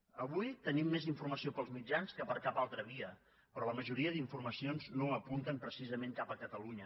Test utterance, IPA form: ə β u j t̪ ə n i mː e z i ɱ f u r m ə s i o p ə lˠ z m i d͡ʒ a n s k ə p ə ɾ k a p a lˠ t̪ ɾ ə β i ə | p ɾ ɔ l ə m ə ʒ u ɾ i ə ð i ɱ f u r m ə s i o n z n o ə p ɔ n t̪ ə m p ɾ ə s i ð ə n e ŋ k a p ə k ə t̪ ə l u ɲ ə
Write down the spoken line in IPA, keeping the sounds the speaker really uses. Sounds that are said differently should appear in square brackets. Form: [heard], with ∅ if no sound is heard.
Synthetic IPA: ə β u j t̪ ə n i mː e z i ɱ f u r m ə s i o p ə lˠ z m i d͡ʒ a n s k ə p ə ɾ k a p a lˠ t̪ ɾ ə β i ə | p ɾ ɔ l ə m ə ʒ u ɾ i ə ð i ɱ f u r m ə s i o n z n o ə p [u] n t̪ ə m p ɾ ə s i [z] ə [m] e ŋ k a p ə k ə t̪ ə l u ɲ ə